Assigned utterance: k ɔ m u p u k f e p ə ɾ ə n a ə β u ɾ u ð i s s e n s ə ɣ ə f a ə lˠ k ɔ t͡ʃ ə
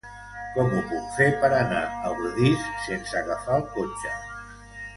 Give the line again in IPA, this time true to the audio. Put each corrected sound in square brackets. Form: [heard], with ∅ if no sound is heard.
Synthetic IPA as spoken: k ɔ m u p u k f e p ə ɾ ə n a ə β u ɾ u ð i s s e n s ə ɣ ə f a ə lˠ k [o] t͡ʃ ə